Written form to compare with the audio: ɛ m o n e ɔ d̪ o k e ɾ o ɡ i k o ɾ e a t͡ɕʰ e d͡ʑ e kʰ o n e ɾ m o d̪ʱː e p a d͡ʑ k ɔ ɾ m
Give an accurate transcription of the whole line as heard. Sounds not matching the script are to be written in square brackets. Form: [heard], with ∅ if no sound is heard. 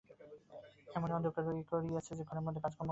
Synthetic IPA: ɛ m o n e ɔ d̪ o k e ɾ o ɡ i k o ɾ [i] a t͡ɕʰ e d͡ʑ e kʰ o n e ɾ m o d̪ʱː e [k] a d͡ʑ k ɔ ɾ m